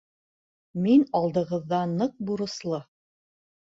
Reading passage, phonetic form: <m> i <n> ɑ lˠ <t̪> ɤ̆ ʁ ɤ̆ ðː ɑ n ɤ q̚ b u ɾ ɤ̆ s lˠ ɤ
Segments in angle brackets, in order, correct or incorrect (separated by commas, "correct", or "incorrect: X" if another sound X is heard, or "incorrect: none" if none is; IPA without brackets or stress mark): correct, correct, incorrect: d̪